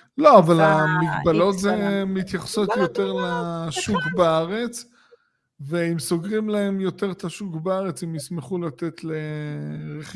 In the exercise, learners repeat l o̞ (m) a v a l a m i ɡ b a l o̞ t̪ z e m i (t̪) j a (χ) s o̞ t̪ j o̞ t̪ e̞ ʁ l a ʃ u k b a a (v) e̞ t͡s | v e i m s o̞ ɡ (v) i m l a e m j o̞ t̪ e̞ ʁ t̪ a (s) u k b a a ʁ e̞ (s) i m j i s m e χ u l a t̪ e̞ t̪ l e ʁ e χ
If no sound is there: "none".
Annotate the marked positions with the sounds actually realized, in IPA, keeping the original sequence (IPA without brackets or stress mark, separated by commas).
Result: none, t̪, χ, ʁ, ʁ, ʃ, t͡s